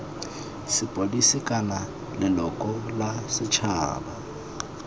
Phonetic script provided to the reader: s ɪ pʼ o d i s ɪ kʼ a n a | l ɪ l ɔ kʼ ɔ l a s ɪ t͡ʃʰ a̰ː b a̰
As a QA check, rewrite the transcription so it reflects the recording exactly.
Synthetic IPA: s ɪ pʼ o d i s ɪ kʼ a n a | l ɪ l ɔ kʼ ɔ l a s ɪ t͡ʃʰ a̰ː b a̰